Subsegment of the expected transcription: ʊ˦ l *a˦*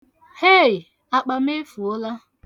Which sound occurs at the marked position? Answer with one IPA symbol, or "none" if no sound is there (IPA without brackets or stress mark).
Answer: a˦